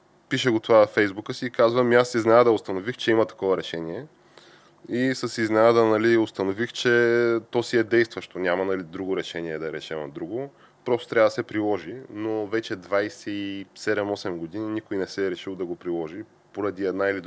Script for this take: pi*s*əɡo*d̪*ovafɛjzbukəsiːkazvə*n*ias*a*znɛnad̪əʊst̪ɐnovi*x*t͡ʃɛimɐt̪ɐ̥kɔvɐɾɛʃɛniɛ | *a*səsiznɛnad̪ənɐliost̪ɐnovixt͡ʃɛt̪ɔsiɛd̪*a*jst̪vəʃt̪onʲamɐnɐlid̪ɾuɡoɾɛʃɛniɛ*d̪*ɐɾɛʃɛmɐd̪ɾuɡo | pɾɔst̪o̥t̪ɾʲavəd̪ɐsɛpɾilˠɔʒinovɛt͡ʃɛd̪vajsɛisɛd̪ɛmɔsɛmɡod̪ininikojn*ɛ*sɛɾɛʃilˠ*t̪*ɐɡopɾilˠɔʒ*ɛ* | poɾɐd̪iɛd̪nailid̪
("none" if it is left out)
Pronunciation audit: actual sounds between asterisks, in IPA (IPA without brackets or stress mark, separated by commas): ʃ, t̪, m, i, x, i, ɛ, d̪, ɛ, d̪, i